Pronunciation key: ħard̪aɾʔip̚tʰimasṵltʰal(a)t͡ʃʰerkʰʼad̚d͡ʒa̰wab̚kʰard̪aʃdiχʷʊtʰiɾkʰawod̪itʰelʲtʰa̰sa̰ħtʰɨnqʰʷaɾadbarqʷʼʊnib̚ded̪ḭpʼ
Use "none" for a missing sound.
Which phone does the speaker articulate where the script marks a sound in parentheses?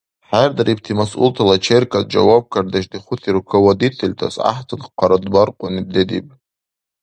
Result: a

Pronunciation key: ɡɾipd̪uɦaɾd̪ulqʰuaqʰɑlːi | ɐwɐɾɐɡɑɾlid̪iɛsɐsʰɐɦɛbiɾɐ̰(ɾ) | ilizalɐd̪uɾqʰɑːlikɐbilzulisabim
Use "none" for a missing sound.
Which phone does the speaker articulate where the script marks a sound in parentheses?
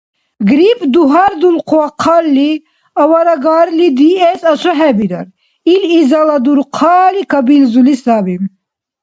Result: ɾ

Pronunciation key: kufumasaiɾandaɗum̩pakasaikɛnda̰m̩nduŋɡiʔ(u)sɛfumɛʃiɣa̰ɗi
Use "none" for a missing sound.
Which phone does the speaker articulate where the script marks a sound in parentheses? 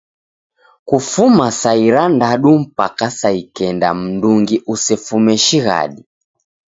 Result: u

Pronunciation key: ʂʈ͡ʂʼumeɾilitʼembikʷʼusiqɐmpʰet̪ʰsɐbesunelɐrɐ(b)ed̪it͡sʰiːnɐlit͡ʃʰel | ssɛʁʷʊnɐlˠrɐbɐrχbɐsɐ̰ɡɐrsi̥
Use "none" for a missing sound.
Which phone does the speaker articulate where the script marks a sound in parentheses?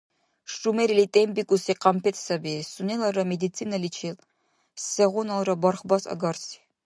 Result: m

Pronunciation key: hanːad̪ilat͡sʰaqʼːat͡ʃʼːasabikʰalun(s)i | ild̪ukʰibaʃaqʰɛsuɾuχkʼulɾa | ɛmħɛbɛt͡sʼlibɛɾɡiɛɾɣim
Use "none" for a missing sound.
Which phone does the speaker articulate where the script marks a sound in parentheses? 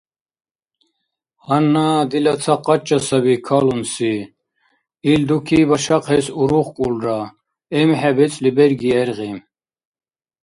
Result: s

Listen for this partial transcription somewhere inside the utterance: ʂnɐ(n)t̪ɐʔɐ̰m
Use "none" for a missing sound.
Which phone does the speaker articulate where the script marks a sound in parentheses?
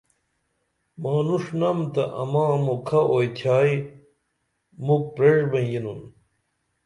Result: m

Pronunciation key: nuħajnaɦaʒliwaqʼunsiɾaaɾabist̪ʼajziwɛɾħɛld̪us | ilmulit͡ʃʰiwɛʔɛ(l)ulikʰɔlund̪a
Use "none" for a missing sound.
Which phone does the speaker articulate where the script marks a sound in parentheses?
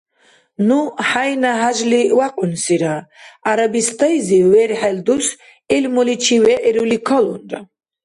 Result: ɾ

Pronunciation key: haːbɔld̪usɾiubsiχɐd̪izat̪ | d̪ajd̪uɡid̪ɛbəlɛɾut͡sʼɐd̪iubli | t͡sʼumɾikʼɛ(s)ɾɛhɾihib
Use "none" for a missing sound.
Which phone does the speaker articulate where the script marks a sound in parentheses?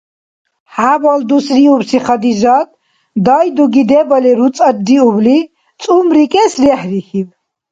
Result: s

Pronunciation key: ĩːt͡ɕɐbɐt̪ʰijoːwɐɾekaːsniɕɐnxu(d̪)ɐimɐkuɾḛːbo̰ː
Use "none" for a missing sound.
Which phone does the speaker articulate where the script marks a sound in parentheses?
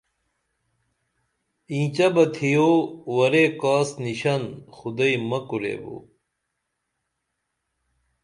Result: d̪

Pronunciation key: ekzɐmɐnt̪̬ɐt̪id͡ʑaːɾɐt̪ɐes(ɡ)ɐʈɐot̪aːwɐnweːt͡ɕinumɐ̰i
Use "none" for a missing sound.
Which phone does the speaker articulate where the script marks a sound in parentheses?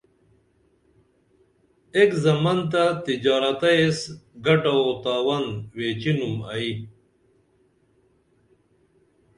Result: ɡ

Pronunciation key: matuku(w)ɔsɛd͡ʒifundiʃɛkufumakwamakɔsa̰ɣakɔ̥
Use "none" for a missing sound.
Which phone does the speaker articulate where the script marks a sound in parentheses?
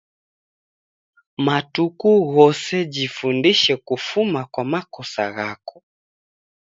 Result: ɣ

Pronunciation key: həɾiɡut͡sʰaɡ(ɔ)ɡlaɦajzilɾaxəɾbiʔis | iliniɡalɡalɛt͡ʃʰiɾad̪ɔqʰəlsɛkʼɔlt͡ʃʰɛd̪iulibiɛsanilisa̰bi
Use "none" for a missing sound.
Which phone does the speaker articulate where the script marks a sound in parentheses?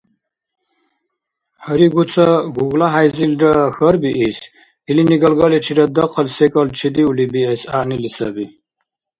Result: u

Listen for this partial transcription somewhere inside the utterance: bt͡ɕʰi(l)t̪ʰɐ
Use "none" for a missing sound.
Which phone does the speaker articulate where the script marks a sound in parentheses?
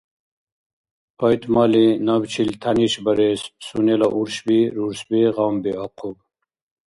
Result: l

